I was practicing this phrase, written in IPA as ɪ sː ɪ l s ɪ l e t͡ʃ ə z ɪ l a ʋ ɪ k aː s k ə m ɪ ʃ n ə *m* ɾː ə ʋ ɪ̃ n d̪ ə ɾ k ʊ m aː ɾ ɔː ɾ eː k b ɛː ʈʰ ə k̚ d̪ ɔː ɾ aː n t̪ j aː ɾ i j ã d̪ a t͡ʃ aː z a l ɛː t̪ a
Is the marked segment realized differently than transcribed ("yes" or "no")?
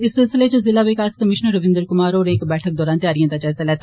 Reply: yes